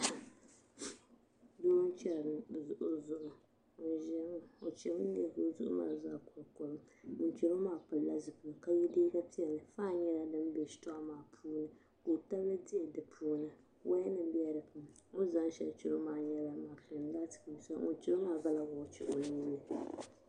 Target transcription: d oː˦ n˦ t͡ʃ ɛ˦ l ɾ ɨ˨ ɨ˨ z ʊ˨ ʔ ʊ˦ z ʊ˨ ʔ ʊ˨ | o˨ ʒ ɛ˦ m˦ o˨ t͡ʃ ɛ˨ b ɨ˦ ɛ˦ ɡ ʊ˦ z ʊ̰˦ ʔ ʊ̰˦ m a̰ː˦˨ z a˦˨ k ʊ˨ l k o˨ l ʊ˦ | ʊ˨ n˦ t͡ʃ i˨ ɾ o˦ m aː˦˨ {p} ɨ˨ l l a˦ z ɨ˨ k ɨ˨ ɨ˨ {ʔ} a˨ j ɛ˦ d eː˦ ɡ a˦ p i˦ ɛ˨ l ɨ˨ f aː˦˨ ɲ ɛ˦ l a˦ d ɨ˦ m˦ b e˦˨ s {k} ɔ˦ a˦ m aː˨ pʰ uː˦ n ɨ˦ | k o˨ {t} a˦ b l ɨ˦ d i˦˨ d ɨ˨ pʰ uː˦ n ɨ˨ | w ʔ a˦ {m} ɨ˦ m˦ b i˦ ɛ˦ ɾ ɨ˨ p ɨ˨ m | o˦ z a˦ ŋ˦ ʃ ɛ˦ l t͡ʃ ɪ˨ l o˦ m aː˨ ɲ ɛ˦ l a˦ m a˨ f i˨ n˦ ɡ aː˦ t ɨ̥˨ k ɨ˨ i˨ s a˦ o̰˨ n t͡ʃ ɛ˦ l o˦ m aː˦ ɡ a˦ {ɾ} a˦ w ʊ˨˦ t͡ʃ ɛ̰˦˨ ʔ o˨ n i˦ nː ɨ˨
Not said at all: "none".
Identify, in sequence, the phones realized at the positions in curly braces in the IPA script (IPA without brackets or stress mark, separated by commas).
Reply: p, k, t, t, n, l